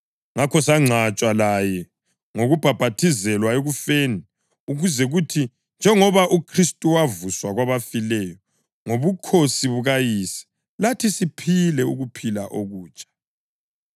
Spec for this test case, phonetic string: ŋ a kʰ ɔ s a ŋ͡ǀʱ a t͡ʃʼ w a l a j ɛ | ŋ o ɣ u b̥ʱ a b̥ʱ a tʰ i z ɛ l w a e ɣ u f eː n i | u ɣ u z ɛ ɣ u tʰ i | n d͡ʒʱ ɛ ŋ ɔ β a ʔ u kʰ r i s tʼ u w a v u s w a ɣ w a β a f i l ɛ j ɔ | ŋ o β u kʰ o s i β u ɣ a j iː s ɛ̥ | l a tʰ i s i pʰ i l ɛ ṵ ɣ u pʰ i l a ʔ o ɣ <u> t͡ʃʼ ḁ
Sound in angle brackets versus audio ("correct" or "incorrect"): incorrect